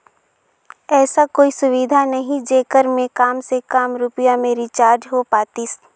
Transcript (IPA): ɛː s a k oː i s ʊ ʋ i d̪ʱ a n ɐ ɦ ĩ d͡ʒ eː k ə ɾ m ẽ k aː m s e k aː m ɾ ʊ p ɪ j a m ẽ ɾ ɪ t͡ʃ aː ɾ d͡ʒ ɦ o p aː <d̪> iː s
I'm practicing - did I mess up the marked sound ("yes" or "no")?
yes